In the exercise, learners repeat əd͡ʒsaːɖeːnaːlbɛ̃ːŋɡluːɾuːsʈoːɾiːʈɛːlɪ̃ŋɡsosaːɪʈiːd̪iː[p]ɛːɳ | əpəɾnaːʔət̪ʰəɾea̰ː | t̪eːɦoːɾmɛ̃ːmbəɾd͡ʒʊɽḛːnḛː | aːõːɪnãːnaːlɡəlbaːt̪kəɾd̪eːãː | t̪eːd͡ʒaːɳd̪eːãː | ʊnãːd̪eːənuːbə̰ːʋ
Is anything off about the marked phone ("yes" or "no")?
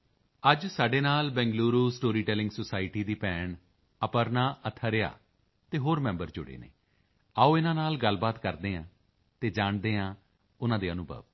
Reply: no